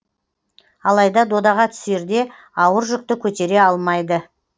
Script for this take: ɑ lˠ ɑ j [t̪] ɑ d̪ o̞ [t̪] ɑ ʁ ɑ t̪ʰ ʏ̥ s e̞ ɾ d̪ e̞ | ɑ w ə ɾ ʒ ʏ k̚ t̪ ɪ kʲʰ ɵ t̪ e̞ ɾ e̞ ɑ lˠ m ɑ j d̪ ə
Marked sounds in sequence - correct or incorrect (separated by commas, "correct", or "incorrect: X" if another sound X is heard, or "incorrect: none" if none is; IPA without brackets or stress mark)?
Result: incorrect: d̪, incorrect: d̪